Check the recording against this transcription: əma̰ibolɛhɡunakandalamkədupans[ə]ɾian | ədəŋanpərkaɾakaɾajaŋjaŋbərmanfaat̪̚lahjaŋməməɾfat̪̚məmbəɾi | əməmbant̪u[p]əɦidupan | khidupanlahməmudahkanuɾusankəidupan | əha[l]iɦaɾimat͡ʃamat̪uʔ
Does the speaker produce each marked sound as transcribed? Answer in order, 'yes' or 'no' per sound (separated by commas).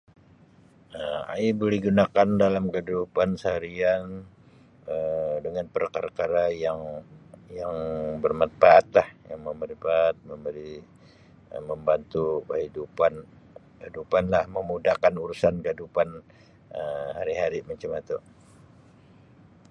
no, no, no